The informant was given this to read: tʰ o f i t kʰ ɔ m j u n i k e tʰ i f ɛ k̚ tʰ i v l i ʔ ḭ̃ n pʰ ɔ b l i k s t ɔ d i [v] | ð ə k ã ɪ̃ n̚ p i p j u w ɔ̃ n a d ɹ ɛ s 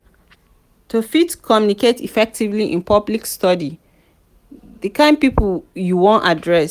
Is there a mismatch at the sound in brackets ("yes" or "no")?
yes